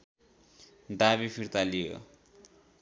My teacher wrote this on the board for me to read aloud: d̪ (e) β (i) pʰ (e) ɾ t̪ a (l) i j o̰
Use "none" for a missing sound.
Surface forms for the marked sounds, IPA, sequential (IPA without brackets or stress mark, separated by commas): a, i, i, l